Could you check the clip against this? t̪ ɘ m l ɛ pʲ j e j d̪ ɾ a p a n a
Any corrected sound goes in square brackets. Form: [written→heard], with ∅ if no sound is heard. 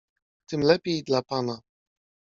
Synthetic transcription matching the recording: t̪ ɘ m l ɛ pʲ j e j d̪ [ɾ→l] a p a n a